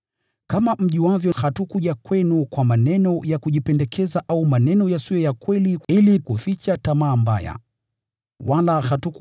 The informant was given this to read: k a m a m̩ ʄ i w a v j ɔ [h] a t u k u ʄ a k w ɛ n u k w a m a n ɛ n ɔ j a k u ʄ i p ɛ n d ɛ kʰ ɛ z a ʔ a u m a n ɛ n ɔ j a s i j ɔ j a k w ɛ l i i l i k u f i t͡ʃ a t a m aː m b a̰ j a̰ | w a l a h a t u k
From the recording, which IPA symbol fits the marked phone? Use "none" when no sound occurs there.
h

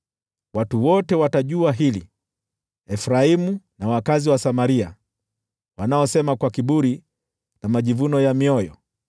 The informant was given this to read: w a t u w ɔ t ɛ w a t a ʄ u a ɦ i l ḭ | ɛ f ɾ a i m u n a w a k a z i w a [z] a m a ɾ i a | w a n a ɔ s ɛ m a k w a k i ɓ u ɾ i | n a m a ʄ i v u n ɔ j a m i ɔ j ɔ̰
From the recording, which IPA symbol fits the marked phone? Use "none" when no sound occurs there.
s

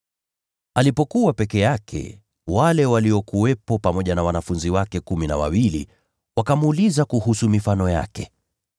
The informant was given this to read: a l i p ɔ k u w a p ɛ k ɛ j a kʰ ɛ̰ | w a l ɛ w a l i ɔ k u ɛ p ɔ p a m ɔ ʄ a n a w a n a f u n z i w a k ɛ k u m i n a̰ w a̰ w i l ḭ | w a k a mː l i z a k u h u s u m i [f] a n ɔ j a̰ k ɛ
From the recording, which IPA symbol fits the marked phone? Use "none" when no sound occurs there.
f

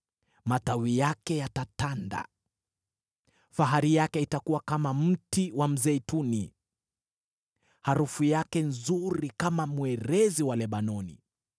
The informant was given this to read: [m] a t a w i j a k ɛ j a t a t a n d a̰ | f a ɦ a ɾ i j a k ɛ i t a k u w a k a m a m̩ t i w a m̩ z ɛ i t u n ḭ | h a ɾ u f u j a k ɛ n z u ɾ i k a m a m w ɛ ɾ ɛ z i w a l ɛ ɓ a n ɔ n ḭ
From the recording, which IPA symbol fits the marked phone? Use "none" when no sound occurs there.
m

